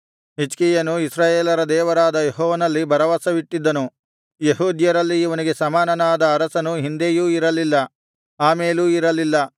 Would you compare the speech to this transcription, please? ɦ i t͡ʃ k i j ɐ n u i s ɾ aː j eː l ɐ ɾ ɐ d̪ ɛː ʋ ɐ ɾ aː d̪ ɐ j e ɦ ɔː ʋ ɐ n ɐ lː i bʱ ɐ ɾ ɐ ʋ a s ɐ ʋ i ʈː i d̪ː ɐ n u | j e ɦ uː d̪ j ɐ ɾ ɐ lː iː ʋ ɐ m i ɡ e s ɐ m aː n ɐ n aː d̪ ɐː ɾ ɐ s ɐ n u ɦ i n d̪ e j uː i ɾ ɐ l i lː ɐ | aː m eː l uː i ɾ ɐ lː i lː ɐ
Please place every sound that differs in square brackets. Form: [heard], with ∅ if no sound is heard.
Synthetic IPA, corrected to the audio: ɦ i t͡ʃ k i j ɐ n u i s ɾ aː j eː l ɐ ɾ ɐ d̪ ɛː ʋ ɐ ɾ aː d̪ ɐ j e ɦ ɔː ʋ ɐ n ɐ lː i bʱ ɐ ɾ ɐ ʋ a s ɐ ʋ i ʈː i d̪ː ɐ n u | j e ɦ uː d̪ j ɐ ɾ ɐ lː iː ʋ ɐ [n] i ɡ e s ɐ m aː n ɐ n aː d̪ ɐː ɾ ɐ s ɐ n u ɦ i n d̪ e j uː i ɾ ɐ l i lː ɐ | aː m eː l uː i ɾ ɐ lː i lː ɐ